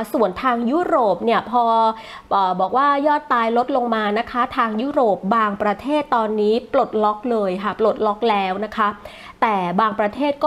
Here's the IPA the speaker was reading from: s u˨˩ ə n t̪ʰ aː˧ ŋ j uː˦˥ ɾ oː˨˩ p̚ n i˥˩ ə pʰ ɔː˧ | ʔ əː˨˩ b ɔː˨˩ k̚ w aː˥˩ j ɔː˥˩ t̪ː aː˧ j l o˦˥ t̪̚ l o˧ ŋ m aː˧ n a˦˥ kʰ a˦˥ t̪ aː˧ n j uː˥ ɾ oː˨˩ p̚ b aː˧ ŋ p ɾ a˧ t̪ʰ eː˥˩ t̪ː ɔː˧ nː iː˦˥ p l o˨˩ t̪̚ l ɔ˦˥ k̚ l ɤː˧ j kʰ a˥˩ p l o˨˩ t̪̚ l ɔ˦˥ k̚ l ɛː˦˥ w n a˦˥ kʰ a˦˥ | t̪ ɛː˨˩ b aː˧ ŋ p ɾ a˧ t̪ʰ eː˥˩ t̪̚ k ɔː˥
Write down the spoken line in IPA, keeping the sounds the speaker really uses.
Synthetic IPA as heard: s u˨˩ ə n t̪ʰ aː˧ ŋ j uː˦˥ ɾ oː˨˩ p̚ n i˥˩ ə pʰ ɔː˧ | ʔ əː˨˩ b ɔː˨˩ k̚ w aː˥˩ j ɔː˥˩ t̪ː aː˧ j l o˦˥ t̪̚ l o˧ ŋ m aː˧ n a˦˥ kʰ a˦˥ t̪ʰ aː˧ ŋ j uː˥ ɾ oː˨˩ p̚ b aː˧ ŋ p ɾ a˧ t̪ʰ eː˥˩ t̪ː ɔː˧ nː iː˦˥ p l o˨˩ t̪̚ l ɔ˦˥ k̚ l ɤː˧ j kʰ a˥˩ p l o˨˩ t̪̚ l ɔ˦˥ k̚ l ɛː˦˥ w n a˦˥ kʰ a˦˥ | t̪ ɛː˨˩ b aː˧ ŋ p ɾ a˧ t̪ʰ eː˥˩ t̪̚ k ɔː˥